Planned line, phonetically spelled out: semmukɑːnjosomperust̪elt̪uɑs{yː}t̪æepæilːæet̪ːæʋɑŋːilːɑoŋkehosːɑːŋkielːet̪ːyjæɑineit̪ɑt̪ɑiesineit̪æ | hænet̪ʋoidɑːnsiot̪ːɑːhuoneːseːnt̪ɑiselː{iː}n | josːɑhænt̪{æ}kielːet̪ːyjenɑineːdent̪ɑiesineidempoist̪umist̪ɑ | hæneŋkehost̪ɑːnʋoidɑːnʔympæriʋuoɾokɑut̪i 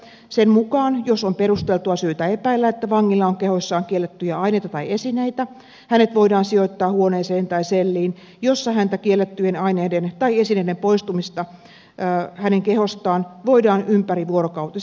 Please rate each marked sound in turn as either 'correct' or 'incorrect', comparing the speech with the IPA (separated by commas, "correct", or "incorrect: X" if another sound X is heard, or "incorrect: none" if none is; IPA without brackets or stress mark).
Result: correct, correct, correct